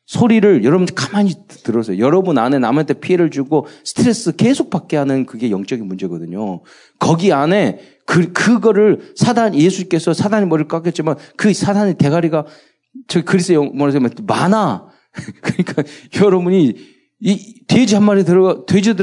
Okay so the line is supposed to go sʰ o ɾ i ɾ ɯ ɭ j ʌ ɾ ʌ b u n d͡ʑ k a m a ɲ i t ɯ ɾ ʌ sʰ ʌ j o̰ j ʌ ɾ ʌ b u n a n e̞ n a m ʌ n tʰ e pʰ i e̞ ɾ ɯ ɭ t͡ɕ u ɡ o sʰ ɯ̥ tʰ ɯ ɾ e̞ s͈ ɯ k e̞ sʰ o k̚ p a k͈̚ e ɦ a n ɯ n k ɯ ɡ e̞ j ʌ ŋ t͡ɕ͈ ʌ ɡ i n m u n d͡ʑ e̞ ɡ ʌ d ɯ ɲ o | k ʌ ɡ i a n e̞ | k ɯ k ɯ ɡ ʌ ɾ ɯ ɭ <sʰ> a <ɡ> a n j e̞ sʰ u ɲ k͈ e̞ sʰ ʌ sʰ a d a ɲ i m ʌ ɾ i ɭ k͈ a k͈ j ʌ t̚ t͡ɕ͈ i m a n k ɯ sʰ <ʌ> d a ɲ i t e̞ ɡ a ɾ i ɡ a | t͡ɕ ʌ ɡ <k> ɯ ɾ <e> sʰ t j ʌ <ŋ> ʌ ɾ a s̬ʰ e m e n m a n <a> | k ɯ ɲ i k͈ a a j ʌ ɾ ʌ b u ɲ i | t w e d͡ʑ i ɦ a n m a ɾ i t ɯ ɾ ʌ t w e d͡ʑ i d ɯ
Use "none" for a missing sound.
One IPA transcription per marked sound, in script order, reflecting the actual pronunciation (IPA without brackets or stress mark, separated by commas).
sʰ, d, a, k, i, m, a